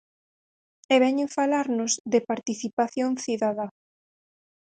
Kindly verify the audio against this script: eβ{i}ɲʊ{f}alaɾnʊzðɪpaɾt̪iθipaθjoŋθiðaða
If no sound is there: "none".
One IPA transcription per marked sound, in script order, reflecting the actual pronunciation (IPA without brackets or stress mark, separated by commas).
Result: ɛ, f